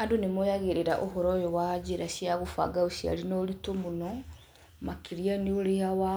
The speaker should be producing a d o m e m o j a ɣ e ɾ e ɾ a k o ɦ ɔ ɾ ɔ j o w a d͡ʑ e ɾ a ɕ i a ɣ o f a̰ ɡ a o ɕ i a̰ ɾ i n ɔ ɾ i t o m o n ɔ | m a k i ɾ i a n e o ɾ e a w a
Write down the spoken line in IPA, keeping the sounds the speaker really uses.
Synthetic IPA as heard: a d o n e m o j a ɣ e ɾ e ɾ a ʔ o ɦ ɔ ɾ ɔ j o w a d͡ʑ e ɾ a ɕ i a ɣ o f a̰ ɡ a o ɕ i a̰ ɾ i n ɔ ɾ i t o m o n ɔ | m a k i ɾ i a n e o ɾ e a w a